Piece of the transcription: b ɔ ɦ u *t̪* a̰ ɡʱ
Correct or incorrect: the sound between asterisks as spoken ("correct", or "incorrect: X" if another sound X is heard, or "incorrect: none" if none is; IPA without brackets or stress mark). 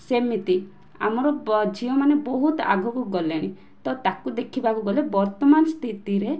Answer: correct